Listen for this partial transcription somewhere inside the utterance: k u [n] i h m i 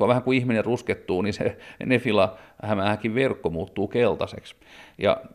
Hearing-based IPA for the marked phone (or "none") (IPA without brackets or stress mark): none